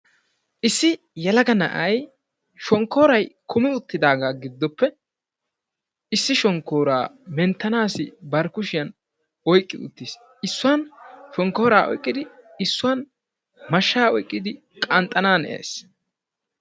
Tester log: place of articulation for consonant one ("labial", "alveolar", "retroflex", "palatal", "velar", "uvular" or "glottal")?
glottal